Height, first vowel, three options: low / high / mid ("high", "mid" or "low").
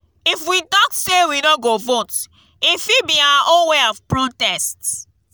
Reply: high